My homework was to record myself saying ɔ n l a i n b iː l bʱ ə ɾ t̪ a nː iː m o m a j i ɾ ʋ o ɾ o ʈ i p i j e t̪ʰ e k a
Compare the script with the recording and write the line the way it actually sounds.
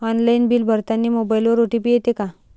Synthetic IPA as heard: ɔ n l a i n b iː l bʱ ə ɾ t̪ a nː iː m o b a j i l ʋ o ɾ o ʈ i p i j e t̪ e k a